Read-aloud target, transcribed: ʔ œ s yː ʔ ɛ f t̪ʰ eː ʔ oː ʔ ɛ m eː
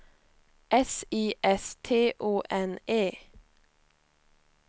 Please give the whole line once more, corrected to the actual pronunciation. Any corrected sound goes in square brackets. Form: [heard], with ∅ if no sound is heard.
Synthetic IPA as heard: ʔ [ɛ] s [iː] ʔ ɛ [s] t̪ʰ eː ʔ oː ʔ ɛ [n] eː